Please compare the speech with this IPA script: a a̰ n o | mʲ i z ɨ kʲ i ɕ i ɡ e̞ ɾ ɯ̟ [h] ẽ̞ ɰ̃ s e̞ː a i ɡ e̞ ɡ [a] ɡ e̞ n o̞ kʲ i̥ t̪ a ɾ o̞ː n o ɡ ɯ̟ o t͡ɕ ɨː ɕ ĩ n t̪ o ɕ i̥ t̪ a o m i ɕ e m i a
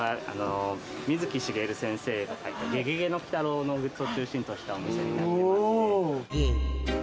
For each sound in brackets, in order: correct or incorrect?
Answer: incorrect, incorrect

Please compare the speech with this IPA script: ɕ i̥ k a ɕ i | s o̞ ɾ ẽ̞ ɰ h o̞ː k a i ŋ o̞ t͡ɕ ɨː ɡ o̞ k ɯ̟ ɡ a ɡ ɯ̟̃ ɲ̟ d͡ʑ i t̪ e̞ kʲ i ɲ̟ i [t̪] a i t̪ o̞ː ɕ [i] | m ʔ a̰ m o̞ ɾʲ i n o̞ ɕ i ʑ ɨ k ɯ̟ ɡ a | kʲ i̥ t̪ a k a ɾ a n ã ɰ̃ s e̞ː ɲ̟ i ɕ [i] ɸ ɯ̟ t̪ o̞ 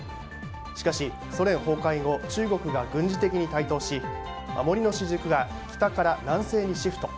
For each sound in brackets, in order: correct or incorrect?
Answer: correct, correct, correct

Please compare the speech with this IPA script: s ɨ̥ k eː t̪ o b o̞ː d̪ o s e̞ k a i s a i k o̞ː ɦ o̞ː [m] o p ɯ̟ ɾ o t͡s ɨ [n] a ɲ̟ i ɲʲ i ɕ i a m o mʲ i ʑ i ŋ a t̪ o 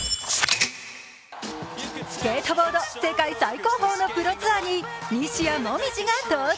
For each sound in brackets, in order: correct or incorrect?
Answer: incorrect, incorrect

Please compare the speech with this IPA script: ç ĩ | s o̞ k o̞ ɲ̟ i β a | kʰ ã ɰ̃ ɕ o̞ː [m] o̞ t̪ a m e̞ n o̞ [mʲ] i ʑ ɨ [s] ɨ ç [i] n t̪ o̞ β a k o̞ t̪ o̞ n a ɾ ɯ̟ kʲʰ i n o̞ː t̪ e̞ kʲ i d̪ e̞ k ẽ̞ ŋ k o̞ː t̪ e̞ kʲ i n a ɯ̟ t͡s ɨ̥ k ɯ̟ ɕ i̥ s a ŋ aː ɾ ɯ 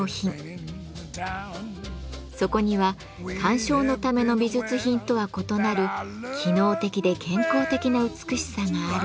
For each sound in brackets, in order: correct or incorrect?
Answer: incorrect, incorrect, incorrect, incorrect

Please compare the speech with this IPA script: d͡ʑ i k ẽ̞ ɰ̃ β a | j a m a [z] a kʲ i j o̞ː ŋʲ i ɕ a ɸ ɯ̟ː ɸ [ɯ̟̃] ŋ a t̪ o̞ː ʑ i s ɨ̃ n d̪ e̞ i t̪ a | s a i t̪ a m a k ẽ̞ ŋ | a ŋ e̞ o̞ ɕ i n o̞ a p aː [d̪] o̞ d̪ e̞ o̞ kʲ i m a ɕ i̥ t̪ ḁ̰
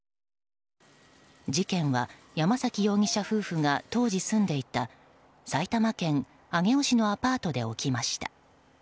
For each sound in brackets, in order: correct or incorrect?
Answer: incorrect, incorrect, incorrect

